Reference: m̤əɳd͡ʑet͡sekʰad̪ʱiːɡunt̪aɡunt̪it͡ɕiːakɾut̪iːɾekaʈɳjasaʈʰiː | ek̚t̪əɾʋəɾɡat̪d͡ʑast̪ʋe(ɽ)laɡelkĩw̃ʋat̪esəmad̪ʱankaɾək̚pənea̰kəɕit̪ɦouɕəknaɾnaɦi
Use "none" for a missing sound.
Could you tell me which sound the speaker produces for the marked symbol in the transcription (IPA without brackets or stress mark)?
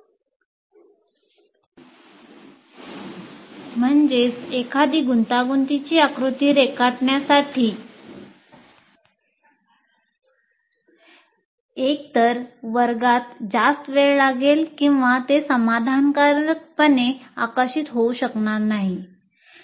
ɭ